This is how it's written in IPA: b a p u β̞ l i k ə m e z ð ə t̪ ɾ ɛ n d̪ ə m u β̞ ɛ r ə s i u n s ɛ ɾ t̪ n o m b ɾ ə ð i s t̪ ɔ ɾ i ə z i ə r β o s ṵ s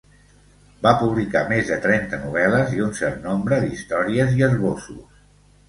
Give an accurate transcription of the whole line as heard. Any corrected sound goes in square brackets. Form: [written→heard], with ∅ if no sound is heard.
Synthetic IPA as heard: b a p u β̞ l i k [ə→a] m e z ð ə t̪ ɾ ɛ n [d̪→t̪] ə [m→n] u β̞ ɛ [r→l] ə [s→z] i u n s ɛ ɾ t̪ n o m b ɾ ə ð i s t̪ ɔ ɾ i ə z i ə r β o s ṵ s